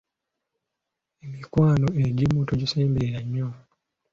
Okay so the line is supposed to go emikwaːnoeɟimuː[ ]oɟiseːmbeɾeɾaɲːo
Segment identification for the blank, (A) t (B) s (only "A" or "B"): A